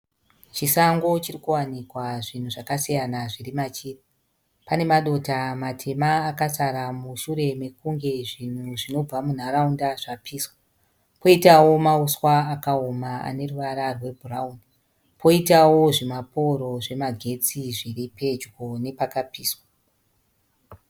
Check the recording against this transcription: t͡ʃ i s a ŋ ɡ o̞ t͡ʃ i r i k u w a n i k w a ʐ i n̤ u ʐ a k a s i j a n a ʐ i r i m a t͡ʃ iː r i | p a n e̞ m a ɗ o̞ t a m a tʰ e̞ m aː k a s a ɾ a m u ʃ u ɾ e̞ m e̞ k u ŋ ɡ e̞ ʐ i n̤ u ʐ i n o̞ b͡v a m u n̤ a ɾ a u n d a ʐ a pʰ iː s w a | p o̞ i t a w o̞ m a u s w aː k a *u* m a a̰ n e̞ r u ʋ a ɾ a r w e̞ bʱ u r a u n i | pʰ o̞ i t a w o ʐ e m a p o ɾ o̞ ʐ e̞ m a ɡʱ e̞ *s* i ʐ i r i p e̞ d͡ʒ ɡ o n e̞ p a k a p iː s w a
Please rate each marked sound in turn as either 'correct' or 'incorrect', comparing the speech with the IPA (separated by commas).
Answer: incorrect, incorrect